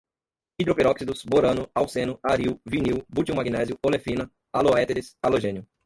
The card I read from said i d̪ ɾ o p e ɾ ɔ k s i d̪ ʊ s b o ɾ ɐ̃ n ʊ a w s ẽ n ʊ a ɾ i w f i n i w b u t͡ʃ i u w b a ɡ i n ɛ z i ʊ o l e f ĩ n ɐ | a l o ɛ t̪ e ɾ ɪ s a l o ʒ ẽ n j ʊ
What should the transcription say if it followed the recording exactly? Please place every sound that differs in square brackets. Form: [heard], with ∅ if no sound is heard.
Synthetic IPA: i d̪ ɾ o p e ɾ ɔ k s i d̪ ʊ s b o ɾ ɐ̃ n ʊ a w s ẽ n ʊ a ɾ i w [v] i n i w b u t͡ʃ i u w [m] a ɡ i n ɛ z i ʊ o l e f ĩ n ɐ | a l o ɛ t̪ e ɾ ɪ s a l o ʒ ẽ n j ʊ